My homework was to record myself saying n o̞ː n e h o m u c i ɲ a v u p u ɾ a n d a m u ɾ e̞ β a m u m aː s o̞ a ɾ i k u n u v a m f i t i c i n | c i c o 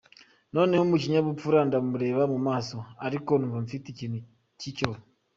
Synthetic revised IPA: n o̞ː n e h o m u c i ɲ a β u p u ɾ a n d a m u ɾ e̞ β a m u m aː s o̞ a ɾ i k o n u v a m f i t i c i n | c i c o

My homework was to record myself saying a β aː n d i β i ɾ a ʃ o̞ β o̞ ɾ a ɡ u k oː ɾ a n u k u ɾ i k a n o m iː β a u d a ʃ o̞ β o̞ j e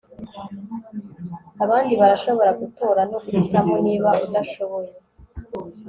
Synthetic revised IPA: a β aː n d i β a ɾ a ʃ o̞ β o̞ ɾ a ɡ u t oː ɾ a n o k u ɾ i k a m o n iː β a u d a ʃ o̞ β o̞ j e

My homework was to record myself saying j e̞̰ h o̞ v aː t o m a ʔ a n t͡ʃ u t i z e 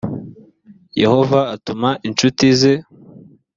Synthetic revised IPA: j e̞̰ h o̞ v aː t u m a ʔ i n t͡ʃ u t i z e

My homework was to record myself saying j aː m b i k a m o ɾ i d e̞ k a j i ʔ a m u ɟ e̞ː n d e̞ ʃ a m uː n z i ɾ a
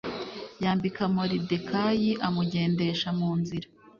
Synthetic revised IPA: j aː m b i k a m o ɾ i d e̞ k a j i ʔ a m u ɟ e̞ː n d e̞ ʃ a m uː n z i ɾ a

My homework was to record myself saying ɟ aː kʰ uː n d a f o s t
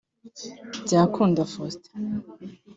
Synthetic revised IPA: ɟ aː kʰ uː n d a f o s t

